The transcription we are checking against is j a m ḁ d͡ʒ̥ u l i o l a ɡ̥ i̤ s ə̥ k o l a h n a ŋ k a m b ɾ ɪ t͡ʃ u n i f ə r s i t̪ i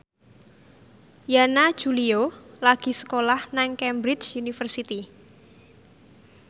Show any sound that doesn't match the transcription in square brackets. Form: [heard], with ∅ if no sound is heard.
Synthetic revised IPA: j a [n] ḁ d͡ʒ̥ u l i o l a ɡ̥ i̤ s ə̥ k o l a h n a ŋ k [ɛ] m b ɾ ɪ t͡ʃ u n i f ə r s i t̪ i